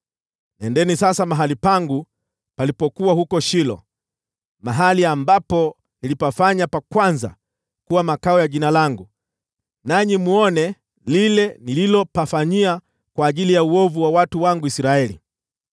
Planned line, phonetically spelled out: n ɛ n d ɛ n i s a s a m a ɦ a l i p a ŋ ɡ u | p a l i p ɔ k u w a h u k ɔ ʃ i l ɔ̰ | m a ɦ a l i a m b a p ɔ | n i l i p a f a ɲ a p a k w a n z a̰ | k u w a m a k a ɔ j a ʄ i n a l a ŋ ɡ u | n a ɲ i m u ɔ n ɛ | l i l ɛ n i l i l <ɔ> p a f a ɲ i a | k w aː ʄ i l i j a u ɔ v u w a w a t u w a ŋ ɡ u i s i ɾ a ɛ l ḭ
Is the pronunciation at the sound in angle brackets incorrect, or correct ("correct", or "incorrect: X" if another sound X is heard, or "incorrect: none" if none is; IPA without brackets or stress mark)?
correct